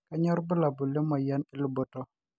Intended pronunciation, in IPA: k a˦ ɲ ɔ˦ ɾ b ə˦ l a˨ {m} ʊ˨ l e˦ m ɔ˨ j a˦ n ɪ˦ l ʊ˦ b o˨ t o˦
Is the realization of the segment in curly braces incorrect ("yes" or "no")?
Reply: yes